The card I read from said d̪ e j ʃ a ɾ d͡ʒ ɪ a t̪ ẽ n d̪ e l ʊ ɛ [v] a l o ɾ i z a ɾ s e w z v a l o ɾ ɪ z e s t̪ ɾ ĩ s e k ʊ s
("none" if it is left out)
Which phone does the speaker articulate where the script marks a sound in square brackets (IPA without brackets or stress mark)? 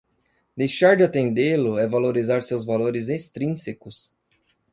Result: v